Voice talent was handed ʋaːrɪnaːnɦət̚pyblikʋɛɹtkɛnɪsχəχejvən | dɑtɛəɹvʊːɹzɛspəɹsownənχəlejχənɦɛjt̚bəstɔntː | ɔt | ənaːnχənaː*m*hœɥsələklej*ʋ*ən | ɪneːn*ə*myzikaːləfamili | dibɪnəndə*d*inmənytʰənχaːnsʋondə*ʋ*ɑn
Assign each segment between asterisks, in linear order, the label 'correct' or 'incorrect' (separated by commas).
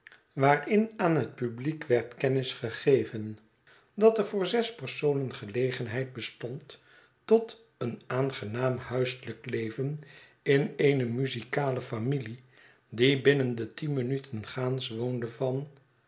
correct, incorrect, correct, incorrect, incorrect